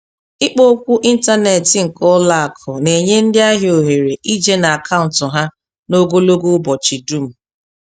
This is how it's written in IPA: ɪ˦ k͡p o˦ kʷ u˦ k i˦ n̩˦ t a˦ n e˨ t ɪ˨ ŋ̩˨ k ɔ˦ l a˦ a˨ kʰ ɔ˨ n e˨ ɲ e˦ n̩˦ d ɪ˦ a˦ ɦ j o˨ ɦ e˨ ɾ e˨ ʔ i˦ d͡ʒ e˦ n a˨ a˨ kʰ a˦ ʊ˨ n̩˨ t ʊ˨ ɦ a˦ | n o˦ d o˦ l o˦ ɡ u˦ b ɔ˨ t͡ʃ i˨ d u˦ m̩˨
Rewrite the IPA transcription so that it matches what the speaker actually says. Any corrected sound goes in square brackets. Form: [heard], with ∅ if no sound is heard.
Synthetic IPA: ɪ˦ k͡p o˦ kʷ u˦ [ʔ] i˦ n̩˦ t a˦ n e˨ t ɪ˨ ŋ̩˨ k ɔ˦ l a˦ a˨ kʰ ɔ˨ n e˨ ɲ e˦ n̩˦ d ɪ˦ a˦ ɦ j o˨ ɦ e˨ ɾ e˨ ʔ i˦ d͡ʒ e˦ n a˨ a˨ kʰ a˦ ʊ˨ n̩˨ t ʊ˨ ɦ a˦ | n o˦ [ɡ] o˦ l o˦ ɡ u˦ b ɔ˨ t͡ʃ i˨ d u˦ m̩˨